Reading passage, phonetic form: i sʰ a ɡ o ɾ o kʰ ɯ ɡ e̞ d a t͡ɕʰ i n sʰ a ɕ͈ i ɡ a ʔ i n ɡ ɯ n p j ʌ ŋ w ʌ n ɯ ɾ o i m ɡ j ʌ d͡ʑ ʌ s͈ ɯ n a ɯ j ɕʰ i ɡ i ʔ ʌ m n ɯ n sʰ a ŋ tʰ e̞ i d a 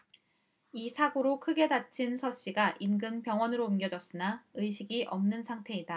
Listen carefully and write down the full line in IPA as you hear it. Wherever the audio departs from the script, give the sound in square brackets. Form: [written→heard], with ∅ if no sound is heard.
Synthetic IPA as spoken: i sʰ a ɡ o ɾ o kʰ ɯ ɡ e̞ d a t͡ɕʰ i n sʰ [a→ʌ] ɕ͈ i ɡ a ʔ i n ɡ ɯ n p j ʌ ŋ w ʌ n ɯ ɾ o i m ɡ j ʌ d͡ʑ ʌ s͈ ɯ n a ɯ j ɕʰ i ɡ i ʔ ʌ m n ɯ n sʰ a ŋ tʰ e̞ i d a